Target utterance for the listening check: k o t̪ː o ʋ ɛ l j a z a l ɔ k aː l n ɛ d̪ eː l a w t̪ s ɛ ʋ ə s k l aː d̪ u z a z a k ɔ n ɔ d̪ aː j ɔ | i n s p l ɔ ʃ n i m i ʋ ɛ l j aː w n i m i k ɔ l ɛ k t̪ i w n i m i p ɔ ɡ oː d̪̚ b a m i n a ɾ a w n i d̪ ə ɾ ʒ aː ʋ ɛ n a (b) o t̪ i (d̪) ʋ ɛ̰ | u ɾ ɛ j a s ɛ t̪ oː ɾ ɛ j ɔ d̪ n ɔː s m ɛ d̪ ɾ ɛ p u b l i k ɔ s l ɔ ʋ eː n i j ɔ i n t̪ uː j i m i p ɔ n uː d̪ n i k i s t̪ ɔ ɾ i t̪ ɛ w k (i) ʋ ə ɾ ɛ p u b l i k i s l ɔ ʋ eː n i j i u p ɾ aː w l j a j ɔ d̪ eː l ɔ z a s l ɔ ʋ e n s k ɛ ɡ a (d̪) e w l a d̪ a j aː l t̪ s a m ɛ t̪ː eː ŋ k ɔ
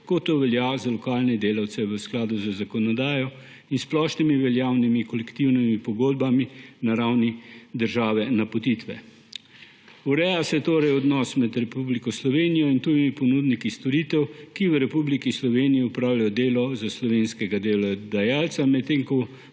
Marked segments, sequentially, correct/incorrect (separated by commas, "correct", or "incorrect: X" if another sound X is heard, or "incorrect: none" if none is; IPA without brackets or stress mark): incorrect: p, incorrect: t̪, correct, correct